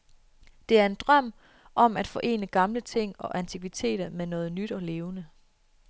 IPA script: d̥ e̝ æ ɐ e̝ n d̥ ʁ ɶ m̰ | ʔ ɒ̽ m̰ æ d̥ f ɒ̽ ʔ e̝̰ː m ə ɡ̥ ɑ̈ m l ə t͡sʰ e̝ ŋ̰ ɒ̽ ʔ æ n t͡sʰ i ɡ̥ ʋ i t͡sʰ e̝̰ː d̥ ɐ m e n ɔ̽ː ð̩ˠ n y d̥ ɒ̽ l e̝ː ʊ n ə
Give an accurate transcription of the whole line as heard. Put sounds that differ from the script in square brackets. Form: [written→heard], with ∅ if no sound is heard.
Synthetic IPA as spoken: d̥ e̝ æ ɐ e̝ n d̥ ʁ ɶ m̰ | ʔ ɒ̽ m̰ æ d̥ f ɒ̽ ʔ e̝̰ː [m→n] ə ɡ̥ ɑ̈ m l ə t͡sʰ e̝ ŋ̰ ɒ̽ ʔ æ n t͡sʰ i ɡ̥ ʋ i t͡sʰ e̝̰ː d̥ ɐ m e n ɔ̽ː ð̩ˠ n y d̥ ɒ̽ l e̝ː ʊ n ə